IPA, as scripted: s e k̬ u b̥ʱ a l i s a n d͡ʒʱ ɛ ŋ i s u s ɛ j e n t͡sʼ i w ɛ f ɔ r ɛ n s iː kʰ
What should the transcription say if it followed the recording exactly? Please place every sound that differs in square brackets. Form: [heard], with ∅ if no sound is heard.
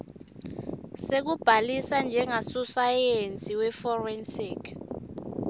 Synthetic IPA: s e k̬ u b̥ʱ a l i s a n d͡ʒʱ ɛ ŋ [a] s u s [a] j e n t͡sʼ i w ɛ f ɔ r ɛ n s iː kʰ